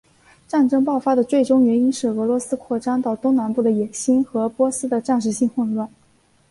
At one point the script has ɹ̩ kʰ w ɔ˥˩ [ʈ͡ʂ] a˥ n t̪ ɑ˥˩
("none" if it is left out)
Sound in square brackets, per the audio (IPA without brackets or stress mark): ʈ͡ʂ